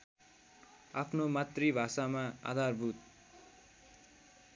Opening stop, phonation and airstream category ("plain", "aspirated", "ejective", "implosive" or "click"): aspirated